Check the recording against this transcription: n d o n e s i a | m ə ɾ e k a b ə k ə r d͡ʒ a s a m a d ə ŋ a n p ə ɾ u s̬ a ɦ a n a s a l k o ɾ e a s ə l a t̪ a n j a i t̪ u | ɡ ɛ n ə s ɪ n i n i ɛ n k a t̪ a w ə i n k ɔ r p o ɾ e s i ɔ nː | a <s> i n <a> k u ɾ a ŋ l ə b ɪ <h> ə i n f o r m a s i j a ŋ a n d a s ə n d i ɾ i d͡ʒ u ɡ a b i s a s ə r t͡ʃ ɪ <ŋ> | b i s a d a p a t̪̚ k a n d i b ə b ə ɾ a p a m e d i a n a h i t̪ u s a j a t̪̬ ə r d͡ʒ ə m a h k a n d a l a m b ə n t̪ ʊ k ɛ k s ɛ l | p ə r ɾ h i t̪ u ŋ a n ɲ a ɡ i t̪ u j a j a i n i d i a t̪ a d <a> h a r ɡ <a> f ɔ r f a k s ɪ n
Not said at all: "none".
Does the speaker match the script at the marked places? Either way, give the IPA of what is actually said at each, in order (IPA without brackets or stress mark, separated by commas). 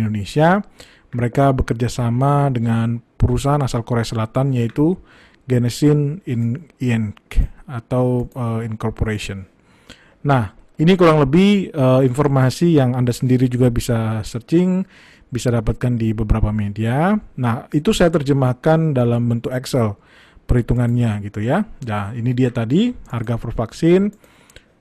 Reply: h, i, h, ŋ, i, a